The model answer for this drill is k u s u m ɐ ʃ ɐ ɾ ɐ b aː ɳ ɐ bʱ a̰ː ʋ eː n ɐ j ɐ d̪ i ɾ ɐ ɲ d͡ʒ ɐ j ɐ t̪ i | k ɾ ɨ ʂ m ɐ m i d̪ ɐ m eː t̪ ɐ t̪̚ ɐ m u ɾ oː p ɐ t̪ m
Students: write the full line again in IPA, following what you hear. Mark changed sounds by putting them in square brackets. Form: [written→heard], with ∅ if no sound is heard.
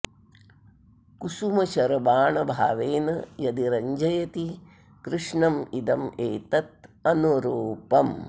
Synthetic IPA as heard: k u s u m ɐ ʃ ɐ ɾ ɐ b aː ɳ ɐ bʱ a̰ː ʋ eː n ɐ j ɐ d̪ i ɾ ɐ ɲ d͡ʒ ɐ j ɐ t̪ i | k ɾ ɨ ʂ [m→ɳ] ɐ m i d̪ ɐ m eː t̪ ɐ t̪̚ ɐ [m→n] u ɾ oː p ɐ [t̪→∅] m